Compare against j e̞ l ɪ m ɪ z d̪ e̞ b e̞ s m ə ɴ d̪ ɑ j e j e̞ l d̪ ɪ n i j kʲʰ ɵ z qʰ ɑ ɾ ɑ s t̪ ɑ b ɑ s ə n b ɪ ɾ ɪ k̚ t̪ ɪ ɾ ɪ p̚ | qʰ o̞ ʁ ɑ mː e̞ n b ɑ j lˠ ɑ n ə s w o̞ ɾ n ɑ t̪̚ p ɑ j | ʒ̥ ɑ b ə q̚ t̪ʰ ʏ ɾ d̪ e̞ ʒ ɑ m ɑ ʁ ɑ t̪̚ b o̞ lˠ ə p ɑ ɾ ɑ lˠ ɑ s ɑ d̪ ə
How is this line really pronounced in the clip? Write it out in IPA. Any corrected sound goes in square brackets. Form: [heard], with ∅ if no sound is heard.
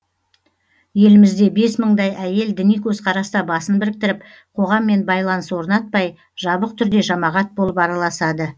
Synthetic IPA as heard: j e̞ l ɪ m ɪ z d̪ e̞ b e̞ s m ə ɴ d̪ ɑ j [æ] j e̞ l d̪ ɪ n i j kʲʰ ɵ z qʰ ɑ ɾ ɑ s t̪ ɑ b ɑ s ə n b ɪ ɾ ɪ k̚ t̪ ɪ ɾ ɪ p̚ | qʰ o̞ ʁ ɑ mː e̞ n b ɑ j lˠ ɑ n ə s w o̞ ɾ n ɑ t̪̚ p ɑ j | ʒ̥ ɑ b ə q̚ t̪ʰ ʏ ɾ d̪ e̞ ʒ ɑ m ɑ ʁ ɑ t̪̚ b o̞ lˠ ə p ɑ ɾ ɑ lˠ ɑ s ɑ d̪ ə

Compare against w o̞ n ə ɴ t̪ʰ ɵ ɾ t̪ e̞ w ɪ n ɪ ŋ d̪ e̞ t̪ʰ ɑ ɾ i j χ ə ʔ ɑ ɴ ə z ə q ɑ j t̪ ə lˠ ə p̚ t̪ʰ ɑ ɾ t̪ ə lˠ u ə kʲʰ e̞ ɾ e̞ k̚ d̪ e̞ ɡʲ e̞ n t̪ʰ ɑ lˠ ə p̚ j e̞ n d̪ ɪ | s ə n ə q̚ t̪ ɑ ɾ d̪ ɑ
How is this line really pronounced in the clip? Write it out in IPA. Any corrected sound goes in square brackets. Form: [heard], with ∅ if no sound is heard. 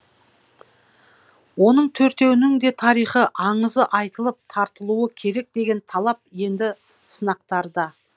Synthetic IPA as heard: w o̞ n ə ɴ t̪ʰ ɵ ɾ t̪ e̞ w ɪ n ɪ ŋ d̪ e̞ t̪ʰ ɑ ɾ i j χ ə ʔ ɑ ɴ ə z ə [ʔ] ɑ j t̪ ə lˠ ə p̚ t̪ʰ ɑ ɾ t̪ ə lˠ u ə kʲʰ e̞ ɾ e̞ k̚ d̪ e̞ ɡʲ e̞ n t̪ʰ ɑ lˠ [ɑ] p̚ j e̞ n d̪ ɪ | s ə n [ɑ] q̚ t̪ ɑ ɾ d̪ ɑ

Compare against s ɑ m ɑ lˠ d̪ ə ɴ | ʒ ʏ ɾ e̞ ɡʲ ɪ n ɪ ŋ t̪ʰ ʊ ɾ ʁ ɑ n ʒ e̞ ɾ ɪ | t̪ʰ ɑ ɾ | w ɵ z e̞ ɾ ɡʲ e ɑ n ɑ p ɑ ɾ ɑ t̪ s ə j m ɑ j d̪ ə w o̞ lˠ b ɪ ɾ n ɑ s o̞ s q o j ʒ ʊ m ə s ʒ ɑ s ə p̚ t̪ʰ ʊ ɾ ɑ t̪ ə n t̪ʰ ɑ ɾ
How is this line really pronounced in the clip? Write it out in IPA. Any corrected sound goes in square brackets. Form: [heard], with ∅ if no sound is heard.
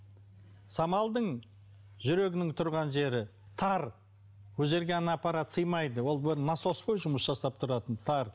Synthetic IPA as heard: s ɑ m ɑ lˠ d̪ ə ɴ | ʒ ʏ ɾ e̞ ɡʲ ɪ n ɪ ŋ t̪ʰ ʊ ɾ ʁ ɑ n ʒ e̞ ɾ ɪ | t̪ʰ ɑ ɾ | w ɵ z e̞ ɾ ɡʲ e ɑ n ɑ p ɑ ɾ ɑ t̪ s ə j m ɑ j d̪ ə w o̞ lˠ b ɪ ɾ n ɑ s o̞ s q o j ʒ ʊ m ə s ʒ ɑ s [ɑ] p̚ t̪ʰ ʊ ɾ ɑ t̪ ə n t̪ʰ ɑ ɾ

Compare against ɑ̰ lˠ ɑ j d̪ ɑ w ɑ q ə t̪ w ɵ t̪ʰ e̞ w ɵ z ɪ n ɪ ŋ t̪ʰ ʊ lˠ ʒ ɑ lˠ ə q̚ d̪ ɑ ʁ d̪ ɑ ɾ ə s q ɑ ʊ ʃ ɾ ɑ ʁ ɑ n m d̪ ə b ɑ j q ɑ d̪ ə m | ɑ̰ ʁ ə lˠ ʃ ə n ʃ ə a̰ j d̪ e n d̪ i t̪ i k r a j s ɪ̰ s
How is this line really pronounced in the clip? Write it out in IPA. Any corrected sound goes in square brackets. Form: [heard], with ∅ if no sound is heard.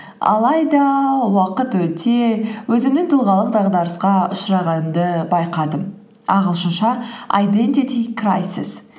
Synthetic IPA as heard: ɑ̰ lˠ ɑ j d̪ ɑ w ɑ q ə t̪ w ɵ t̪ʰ e̞ w ɵ z ɪ n ɪ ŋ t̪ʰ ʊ lˠ [ʁ] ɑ lˠ ə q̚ d̪ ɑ ʁ d̪ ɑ ɾ ə s q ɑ ʊ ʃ ɾ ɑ ʁ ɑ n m d̪ ə b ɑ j q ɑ d̪ ə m | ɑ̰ ʁ ə lˠ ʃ ə n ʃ [ɑ] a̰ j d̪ e n [t̪] i t̪ i k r a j s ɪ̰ s

